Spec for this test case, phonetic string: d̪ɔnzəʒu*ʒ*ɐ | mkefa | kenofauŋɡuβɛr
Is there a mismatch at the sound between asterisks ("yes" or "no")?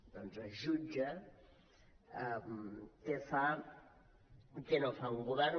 yes